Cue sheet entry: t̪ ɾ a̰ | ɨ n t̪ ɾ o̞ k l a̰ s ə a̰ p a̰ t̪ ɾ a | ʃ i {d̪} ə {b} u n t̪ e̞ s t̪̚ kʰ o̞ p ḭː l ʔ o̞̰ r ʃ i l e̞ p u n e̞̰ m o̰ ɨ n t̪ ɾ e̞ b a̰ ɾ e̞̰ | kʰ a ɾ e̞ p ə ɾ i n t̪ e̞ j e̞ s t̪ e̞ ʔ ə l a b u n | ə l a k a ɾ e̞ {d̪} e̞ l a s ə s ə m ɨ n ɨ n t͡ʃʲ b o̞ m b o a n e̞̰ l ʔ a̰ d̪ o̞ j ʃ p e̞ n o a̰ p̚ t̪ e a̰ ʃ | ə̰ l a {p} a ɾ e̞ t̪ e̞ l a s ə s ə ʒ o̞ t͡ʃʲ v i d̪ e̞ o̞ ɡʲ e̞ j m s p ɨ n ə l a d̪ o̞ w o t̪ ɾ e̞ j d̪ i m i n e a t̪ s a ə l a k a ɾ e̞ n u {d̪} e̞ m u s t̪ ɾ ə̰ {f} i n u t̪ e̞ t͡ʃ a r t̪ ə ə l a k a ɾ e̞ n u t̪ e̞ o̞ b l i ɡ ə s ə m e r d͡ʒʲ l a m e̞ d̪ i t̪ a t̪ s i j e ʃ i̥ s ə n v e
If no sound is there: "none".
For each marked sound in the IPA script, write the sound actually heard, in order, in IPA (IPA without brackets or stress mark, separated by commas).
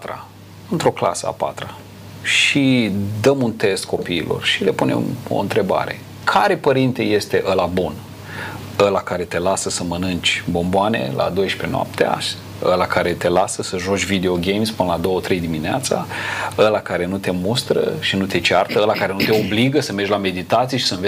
d̪, m, t̪, k, t̪, ʃ